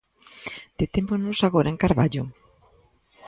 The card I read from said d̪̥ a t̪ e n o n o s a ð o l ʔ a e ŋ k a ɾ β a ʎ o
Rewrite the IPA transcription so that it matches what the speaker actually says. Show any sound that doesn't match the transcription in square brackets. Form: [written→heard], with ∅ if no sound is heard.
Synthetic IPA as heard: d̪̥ [a→e] t̪ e [n→m] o n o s a [ð→ɣ] o [l→ɾ] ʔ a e ŋ k a ɾ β a ʎ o